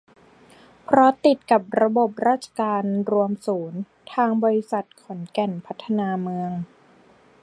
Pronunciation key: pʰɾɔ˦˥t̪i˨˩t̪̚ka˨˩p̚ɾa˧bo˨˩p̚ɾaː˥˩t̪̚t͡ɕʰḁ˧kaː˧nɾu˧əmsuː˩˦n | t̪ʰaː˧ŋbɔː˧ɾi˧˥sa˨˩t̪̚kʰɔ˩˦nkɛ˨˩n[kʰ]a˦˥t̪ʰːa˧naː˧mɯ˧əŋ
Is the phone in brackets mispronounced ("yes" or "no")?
yes